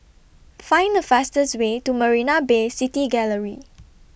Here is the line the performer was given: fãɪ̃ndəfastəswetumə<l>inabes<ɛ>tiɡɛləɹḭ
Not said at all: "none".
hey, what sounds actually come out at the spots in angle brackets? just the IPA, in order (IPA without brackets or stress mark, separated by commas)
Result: ɹ, i